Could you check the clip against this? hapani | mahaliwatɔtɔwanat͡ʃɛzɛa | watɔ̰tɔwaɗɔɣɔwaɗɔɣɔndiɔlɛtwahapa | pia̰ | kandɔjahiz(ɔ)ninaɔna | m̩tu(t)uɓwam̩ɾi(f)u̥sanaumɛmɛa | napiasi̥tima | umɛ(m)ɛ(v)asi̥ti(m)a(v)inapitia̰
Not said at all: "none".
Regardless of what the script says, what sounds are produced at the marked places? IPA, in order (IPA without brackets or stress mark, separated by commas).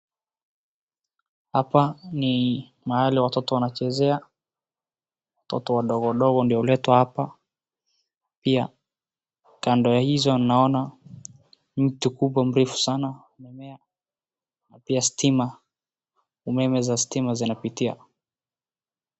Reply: ɔ, k, f, m, z, m, z